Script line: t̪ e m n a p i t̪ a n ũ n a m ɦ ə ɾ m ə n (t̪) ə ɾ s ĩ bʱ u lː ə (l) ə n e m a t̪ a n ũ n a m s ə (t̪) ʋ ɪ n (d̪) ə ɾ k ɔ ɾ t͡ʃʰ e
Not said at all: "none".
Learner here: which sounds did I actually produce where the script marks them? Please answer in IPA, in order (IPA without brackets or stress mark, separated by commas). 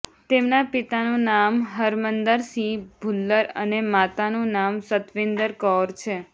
d̪, ɾ, t̪, d̪